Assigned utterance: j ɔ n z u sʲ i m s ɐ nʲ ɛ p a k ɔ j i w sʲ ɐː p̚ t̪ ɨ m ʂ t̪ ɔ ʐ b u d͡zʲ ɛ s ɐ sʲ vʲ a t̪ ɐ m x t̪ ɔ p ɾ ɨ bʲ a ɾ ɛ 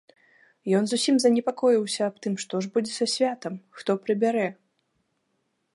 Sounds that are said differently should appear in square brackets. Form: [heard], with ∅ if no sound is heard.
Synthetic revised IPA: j ɔ n z u sʲ i m [z] ɐ nʲ ɛ p a k ɔ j i w sʲ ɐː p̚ t̪ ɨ m ʂ t̪ ɔ ʐ b u d͡zʲ ɛ s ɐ sʲ vʲ a t̪ ɐ m x t̪ ɔ p ɾ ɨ bʲ a ɾ ɛ